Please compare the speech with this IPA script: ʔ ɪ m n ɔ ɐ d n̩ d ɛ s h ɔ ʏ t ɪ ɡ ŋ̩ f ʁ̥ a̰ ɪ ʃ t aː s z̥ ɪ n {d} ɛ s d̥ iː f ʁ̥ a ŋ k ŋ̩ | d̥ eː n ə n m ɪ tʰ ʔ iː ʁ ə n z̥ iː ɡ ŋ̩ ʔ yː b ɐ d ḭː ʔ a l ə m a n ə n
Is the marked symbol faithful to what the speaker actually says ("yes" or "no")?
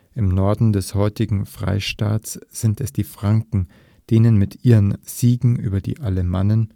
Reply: no